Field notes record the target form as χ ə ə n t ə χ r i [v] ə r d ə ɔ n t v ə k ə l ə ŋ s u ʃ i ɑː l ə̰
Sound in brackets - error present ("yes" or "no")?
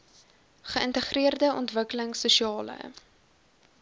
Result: yes